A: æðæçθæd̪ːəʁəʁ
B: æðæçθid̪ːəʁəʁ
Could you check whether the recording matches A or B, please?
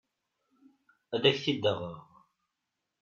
B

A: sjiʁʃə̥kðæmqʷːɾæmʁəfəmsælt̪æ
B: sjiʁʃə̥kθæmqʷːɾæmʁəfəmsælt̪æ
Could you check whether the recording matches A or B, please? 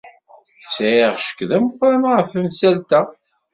A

